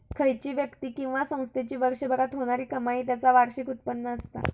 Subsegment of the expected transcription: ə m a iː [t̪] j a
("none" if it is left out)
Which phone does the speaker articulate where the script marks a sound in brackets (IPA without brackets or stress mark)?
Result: t̪